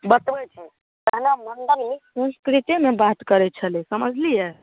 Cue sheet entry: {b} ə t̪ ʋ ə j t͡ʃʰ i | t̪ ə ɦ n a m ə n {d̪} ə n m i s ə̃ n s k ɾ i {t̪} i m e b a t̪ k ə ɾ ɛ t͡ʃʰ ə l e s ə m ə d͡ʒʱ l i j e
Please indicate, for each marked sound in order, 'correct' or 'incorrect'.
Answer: correct, correct, correct

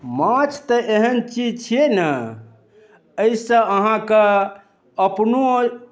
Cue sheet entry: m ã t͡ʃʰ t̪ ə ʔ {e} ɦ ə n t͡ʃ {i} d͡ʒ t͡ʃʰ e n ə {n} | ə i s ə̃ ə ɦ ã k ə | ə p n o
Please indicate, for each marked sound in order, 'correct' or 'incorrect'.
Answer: correct, correct, incorrect

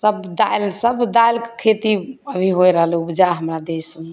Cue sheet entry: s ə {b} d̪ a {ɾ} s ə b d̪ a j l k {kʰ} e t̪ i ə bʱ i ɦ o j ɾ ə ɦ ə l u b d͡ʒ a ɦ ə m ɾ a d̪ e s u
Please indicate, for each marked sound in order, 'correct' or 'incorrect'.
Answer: correct, incorrect, correct

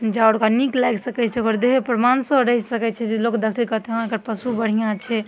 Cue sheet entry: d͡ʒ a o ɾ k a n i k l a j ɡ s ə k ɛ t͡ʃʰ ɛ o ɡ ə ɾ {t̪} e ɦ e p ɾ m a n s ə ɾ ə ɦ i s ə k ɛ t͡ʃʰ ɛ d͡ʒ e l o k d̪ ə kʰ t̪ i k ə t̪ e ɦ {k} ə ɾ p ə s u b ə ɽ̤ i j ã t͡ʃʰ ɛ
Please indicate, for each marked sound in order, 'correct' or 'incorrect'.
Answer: incorrect, correct

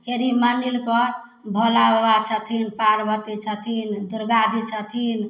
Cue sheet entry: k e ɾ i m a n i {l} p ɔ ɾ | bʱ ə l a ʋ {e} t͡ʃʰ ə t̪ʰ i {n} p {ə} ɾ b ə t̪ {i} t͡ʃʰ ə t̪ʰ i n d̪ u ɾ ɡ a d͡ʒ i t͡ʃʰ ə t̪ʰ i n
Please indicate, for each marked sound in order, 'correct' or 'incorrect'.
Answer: correct, incorrect, correct, incorrect, correct

